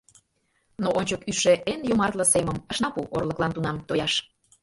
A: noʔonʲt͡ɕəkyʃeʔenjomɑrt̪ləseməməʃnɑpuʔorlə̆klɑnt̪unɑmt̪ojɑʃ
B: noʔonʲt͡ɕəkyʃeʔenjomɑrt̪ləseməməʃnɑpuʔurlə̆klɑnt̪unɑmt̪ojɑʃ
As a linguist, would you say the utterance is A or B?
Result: A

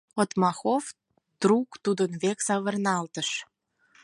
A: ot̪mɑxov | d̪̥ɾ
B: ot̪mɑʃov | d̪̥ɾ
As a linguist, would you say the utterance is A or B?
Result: A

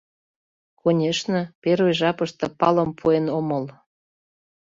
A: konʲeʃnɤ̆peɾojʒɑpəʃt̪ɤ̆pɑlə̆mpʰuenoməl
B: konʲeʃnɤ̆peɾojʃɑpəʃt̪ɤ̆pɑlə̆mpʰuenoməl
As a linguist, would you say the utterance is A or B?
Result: A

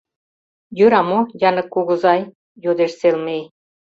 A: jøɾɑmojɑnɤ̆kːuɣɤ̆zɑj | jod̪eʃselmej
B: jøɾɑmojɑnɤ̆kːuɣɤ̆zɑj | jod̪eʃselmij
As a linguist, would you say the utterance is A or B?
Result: A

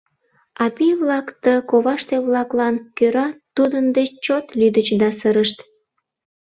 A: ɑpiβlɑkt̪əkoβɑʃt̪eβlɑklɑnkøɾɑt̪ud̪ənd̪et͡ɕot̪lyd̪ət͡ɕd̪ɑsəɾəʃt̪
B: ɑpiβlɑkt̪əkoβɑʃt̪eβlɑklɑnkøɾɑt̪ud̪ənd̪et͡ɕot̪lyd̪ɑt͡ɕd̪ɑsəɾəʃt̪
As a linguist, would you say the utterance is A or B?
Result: A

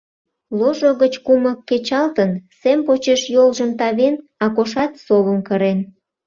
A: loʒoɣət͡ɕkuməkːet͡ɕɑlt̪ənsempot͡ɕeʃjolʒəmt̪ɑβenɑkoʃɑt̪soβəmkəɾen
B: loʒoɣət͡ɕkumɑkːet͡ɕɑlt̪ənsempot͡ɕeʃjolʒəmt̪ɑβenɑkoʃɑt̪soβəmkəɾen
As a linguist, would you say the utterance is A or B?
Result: A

